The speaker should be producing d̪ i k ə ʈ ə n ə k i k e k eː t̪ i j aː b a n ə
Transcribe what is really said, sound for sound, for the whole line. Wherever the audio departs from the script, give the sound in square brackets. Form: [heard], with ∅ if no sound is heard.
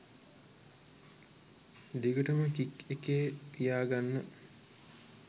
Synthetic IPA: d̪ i [ɡ] ə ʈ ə [m] ə k i k e k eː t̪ i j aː [ɡ] a [nː] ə